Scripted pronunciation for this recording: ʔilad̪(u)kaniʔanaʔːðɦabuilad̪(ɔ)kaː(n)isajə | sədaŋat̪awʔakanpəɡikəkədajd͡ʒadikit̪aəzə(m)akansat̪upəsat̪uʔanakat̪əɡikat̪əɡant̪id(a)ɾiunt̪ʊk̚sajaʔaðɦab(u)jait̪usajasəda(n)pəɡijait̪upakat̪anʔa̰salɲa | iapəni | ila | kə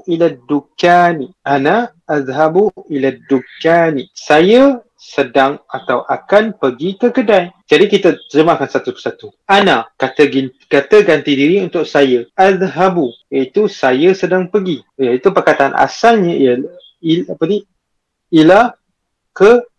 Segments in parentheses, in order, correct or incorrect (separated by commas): correct, incorrect, correct, correct, incorrect, correct, incorrect